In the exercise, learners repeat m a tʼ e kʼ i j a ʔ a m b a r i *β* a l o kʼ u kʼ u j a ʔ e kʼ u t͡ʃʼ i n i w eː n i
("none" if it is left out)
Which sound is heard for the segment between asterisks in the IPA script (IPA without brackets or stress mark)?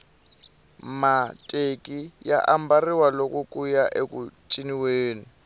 w